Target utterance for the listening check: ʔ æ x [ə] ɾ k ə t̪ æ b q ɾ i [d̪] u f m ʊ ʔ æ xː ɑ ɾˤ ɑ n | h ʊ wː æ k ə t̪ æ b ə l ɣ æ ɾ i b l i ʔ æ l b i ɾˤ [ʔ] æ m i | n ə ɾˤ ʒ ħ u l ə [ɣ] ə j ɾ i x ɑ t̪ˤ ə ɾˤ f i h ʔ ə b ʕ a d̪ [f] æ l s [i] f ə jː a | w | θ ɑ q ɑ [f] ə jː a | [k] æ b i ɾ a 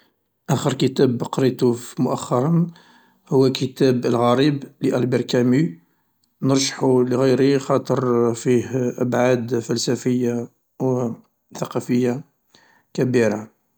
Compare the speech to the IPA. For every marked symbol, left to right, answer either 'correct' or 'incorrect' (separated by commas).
correct, incorrect, incorrect, correct, correct, incorrect, correct, correct